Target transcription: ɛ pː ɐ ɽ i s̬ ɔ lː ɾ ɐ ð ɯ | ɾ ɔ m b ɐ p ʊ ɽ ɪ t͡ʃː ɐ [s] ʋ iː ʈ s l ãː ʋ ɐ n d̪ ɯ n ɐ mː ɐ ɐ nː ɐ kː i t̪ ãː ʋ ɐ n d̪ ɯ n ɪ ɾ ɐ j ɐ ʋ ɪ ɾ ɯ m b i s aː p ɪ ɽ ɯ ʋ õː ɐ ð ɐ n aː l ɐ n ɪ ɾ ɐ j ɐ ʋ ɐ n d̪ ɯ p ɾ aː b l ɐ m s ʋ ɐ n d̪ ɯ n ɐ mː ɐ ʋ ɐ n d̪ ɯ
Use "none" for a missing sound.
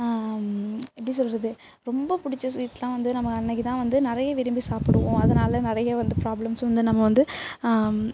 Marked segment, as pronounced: s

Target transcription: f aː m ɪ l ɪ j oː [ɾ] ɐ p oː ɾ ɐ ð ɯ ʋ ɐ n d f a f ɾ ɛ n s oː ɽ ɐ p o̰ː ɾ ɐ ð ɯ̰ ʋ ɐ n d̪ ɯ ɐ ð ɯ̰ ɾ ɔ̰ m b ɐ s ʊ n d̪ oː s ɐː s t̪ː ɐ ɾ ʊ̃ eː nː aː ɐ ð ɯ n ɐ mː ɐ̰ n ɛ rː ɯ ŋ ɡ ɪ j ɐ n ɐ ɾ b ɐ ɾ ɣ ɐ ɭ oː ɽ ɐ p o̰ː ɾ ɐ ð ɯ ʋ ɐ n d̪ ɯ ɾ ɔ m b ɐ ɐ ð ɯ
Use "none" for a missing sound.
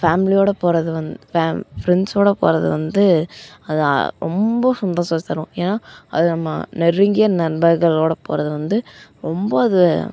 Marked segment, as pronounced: ɽ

